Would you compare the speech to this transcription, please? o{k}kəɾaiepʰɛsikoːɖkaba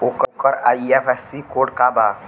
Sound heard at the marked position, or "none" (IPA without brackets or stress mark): k